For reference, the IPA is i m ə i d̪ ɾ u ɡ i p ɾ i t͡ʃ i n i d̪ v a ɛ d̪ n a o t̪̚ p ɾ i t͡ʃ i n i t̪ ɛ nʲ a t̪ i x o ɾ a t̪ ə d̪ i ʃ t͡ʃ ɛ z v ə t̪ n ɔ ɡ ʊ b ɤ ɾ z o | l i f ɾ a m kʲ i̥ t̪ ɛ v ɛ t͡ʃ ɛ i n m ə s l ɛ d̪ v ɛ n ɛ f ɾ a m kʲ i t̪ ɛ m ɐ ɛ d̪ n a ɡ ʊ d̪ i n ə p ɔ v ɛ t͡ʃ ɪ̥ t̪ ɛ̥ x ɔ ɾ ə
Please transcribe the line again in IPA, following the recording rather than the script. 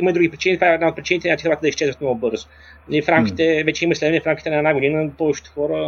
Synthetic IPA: i m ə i d̪ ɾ u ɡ i p ɾ i t͡ʃ i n i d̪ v a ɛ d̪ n a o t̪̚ p ɾ i t͡ʃ i n i t̪ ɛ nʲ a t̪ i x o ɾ a t̪ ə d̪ i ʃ t͡ʃ ɛ z v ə t̪ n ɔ ɡ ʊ b ɤ ɾ z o | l i f ɾ a m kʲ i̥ t̪ ɛ v ɛ t͡ʃ ɛ i m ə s l ɛ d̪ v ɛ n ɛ f ɾ a m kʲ i t̪ ɛ n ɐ ɛ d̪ n a ɡ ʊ d̪ i n ə p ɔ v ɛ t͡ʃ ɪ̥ t̪ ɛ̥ x ɔ ɾ ə